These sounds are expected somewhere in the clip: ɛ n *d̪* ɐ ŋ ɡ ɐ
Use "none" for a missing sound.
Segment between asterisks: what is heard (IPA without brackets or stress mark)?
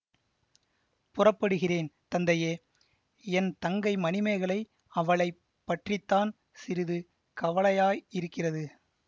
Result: t̪